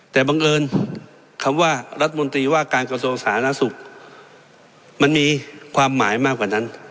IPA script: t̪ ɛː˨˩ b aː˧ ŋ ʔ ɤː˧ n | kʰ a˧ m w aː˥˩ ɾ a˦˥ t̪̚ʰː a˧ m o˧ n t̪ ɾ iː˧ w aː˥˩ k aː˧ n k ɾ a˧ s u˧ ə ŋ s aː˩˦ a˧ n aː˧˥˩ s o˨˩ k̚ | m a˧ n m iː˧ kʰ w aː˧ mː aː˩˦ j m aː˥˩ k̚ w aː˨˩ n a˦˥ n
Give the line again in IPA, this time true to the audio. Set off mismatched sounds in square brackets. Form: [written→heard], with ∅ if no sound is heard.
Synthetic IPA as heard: t̪ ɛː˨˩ b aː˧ ŋ ʔ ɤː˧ n | kʰ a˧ m w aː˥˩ ɾ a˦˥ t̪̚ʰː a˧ m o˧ n t̪ ɾ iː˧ w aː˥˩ k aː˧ n k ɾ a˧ s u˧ ə ŋ s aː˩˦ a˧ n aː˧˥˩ s [o˨˩→u˨˩] k̚ | m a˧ n m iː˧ kʰ w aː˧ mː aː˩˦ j m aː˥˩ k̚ w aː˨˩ n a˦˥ n